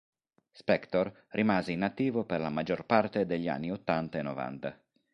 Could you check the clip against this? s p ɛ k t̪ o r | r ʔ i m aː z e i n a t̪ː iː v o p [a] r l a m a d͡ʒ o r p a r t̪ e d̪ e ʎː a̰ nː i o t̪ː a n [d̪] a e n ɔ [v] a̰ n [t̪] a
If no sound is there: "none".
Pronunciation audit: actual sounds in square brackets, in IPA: e, t̪, v, t̪

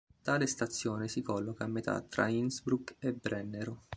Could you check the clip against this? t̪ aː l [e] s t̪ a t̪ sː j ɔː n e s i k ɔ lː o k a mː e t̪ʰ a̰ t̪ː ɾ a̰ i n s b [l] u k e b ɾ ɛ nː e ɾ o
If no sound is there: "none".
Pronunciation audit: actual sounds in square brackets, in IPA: e, ɾ

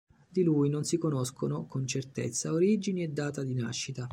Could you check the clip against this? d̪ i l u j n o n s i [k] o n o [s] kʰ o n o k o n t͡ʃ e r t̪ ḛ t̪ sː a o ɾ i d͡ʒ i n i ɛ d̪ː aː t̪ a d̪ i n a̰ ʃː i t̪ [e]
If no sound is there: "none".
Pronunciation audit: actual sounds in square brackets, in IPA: k, s, a

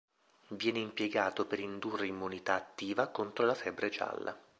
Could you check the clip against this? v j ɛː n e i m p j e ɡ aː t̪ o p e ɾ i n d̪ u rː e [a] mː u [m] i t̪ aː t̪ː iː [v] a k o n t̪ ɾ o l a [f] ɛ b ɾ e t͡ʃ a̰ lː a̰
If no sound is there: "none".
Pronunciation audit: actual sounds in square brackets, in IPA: i, n, v, f

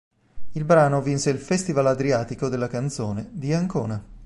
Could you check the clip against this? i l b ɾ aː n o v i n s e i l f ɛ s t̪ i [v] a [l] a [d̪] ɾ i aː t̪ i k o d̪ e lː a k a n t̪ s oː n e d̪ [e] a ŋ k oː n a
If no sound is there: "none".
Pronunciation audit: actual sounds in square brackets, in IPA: v, l, d̪, i

